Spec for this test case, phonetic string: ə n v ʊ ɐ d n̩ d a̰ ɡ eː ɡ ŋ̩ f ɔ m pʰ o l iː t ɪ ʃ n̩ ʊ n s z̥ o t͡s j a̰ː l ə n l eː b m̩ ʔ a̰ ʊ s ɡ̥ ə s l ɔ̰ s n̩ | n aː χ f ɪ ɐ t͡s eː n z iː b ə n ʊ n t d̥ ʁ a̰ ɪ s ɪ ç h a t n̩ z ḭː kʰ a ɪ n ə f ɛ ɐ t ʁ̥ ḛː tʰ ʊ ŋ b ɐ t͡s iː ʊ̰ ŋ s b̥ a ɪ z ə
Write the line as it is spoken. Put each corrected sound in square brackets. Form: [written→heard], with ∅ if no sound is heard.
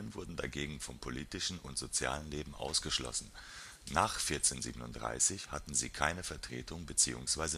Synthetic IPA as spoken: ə n v ʊ ɐ d n̩ d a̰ ɡ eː ɡ ŋ̩ f ɔ m pʰ o l iː t ɪ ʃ n̩ ʊ n [s→t] z̥ o t͡s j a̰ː l ə n l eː b m̩ ʔ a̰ ʊ s ɡ̥ ə [s→ʃ] l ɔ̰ s n̩ | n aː χ f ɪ ɐ t͡s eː n z iː b ə n ʊ n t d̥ ʁ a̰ ɪ s ɪ ç h a t n̩ z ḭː kʰ a ɪ n ə f ɛ ɐ t ʁ̥ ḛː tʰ ʊ ŋ b [ɐ→ə] t͡s iː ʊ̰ ŋ s [b̥→v̥] a ɪ z ə